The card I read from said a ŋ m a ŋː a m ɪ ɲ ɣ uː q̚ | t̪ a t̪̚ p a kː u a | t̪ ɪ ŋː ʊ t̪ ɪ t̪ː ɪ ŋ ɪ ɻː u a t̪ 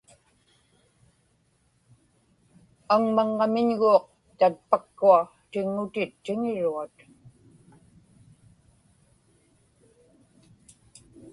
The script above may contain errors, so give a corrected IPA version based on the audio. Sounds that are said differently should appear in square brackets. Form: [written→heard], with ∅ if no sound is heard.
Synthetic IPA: a ŋ m a ŋː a m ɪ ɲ ɣ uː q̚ | t̪ a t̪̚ p a kː u a | t̪ ɪ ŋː ʊ t̪ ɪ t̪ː ɪ ŋ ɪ [ɻː→ɻ] u a t̪